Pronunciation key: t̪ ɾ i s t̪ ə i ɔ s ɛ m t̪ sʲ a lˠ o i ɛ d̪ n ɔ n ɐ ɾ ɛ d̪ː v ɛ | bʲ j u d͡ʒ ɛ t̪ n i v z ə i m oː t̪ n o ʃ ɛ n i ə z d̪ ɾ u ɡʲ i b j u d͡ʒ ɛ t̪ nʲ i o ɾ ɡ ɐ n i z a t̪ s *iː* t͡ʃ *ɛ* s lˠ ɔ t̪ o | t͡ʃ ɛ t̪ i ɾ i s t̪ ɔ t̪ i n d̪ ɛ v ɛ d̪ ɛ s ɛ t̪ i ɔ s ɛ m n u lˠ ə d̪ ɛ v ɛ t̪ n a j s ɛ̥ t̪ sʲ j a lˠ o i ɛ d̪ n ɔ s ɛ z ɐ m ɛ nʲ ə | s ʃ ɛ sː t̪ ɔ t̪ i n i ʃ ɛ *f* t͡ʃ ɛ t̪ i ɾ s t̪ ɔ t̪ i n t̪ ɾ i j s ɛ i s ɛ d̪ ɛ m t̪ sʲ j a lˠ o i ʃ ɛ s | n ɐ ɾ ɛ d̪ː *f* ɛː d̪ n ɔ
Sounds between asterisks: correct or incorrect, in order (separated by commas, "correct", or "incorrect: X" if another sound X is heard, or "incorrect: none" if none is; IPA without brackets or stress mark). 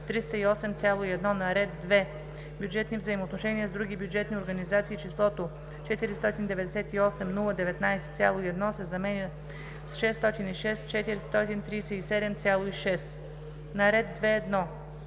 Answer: correct, incorrect: i, incorrect: s, incorrect: v